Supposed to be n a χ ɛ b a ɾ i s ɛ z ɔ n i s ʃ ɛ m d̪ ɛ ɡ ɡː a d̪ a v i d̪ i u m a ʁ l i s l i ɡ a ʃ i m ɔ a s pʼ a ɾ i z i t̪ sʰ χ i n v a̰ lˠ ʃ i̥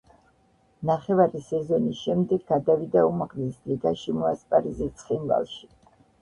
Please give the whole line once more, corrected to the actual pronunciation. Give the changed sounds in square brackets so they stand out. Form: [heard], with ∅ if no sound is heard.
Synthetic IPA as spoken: n a χ ɛ [v] a ɾ i s ɛ z ɔ n i s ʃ ɛ m d̪ ɛ ɡ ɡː a d̪ a v i d̪ [a] u m a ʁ l i s l i ɡ a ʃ i m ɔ a s pʼ a ɾ i z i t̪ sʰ χ i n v a̰ lˠ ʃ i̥